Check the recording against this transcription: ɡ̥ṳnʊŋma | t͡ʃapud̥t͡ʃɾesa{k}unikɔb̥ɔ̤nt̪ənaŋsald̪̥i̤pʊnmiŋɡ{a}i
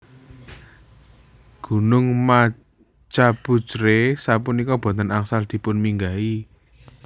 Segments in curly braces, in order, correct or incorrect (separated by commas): incorrect, correct